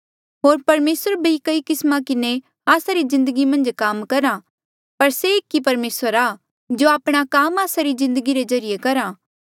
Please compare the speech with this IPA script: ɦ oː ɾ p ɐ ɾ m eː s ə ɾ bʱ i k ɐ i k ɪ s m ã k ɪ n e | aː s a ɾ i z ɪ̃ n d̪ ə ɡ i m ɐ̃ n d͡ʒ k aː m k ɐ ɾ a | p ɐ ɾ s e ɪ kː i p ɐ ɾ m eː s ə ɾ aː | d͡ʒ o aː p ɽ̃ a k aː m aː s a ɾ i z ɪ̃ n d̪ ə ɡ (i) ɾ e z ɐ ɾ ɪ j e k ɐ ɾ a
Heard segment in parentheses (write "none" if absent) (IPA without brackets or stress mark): i